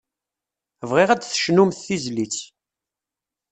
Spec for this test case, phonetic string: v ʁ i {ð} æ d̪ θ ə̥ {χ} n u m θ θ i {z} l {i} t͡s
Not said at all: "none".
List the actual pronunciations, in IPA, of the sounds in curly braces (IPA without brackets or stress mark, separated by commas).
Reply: ʁ, ʃ, z, i